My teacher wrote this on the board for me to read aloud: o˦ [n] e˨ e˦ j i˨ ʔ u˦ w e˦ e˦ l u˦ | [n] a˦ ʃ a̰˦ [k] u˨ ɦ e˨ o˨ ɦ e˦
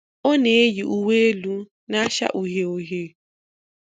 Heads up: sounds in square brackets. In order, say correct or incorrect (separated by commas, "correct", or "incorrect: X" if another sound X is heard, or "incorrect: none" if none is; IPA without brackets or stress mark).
correct, correct, incorrect: ʔ